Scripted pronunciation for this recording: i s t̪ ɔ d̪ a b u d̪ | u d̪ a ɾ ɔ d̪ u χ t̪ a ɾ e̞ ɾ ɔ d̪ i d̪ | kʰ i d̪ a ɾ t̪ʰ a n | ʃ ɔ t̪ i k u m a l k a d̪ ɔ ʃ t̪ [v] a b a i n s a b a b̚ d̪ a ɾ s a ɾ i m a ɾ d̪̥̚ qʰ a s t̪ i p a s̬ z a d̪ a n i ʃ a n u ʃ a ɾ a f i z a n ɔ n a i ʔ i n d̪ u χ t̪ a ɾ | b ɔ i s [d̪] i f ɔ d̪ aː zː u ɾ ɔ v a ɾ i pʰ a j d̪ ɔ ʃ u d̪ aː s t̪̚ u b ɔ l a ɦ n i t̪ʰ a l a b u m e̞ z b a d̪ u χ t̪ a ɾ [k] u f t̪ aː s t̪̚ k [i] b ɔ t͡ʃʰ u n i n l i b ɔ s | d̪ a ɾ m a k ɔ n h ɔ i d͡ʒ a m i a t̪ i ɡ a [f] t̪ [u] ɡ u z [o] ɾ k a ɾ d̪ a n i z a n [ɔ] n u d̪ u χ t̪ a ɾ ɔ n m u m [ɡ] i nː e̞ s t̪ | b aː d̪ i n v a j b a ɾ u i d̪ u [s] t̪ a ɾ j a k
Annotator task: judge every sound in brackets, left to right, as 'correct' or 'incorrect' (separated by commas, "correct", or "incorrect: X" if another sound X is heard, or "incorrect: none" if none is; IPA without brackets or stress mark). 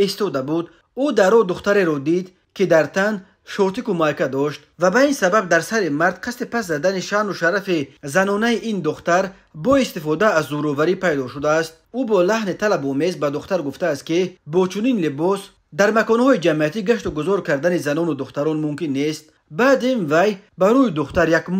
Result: correct, incorrect: t̪, incorrect: ɡ, correct, incorrect: ʃ, correct, incorrect: ɔ, correct, incorrect: k, incorrect: χ